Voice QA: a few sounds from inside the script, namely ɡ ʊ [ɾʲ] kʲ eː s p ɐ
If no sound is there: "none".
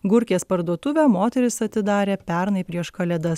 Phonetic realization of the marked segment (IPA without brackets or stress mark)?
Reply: ɾʲ